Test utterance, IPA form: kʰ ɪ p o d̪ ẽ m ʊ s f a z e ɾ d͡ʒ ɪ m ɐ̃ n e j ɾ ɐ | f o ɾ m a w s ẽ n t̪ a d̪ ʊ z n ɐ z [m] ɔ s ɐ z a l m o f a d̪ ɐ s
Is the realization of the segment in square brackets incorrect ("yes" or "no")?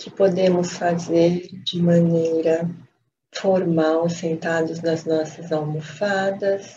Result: yes